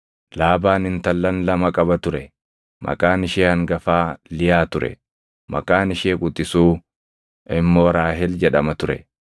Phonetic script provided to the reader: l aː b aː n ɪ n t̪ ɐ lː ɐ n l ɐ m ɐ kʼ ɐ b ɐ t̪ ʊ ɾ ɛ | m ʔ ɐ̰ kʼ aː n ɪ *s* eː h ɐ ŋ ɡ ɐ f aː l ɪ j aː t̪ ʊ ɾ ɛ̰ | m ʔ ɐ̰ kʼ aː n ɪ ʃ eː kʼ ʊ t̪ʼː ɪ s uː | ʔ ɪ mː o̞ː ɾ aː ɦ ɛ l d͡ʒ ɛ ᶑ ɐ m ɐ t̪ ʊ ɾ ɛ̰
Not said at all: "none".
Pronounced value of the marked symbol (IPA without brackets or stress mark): ʃ